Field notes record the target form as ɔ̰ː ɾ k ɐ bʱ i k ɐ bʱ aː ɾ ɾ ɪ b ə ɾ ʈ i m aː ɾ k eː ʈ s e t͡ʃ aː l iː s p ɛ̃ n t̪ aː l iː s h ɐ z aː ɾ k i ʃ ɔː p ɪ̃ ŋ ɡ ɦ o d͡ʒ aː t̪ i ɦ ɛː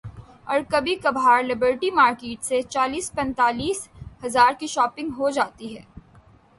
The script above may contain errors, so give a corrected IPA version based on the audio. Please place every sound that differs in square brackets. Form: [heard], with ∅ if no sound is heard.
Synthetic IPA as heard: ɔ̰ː ɾ k ɐ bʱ i k ɐ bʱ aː ɾ [l] ɪ b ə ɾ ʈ i m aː ɾ k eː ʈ s e t͡ʃ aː l iː s p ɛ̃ n t̪ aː l iː s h ɐ z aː ɾ k i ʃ ɔː p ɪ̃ ŋ ɡ ɦ o d͡ʒ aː t̪ i ɦ ɛː